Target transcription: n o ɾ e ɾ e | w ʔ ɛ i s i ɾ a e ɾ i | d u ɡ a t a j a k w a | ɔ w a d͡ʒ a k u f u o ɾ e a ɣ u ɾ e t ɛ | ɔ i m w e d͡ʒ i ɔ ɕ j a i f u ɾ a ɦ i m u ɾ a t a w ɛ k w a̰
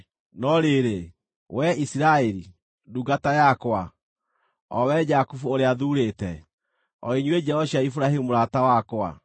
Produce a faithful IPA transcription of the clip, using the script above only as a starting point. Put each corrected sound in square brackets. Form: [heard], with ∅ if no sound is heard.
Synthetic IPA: n [ɔ] ɾ e ɾ e | w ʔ ɛ i s i ɾ a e ɾ i | d u ɡ a t a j a k w a | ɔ w [ɛ] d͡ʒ a k u f u o ɾ e a [ð] u ɾ e t ɛ | ɔ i [ɲ] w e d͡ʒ [ɛ] ɔ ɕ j a i f u ɾ a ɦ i m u ɾ a t a w [a] k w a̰